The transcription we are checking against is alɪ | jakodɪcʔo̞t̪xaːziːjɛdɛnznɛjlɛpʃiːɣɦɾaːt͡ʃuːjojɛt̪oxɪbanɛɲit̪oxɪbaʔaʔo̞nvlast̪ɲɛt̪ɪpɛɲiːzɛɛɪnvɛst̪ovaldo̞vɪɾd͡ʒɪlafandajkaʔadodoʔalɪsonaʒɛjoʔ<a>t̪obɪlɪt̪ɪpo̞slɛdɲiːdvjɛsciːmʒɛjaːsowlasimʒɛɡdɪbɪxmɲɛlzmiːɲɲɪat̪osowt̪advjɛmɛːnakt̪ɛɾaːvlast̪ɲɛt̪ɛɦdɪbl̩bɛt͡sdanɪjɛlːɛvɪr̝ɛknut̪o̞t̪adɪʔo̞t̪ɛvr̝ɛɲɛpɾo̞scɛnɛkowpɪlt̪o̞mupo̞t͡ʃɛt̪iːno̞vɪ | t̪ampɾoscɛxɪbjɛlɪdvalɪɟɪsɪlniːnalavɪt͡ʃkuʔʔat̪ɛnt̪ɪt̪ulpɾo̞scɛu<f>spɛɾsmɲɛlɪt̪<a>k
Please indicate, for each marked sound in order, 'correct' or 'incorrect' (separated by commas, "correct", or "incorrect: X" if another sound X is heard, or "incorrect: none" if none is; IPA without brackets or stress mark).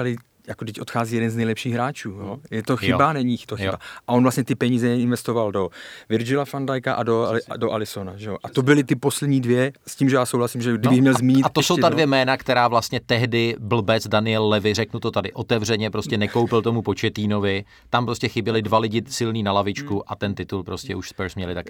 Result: correct, incorrect: ʃ, correct